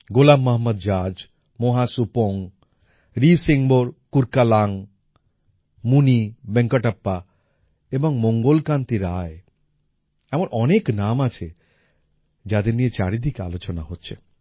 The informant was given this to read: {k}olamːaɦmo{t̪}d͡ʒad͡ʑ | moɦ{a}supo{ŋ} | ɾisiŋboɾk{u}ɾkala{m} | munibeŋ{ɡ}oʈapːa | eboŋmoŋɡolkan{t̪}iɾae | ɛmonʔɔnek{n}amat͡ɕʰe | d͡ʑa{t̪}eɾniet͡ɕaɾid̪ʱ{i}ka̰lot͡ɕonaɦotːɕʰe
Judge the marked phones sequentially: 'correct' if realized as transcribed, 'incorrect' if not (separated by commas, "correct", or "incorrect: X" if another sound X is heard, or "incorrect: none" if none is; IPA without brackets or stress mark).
incorrect: ɡ, incorrect: d̪, correct, correct, correct, incorrect: ŋ, incorrect: k, correct, correct, incorrect: d̪, correct